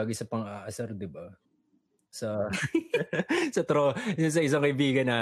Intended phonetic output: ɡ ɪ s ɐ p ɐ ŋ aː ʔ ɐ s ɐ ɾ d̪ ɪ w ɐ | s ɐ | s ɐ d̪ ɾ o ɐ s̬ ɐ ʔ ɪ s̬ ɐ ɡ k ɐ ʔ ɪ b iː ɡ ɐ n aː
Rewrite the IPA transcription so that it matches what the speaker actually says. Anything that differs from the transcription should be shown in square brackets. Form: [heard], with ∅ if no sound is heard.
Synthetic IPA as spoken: ɡ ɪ s ɐ p ɐ ŋ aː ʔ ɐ s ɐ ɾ d̪ ɪ [b] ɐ | s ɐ | s ɐ [t̪] ɾ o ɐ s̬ ɐ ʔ ɪ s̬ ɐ [ŋ] k ɐ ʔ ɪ b iː ɡ ɐ n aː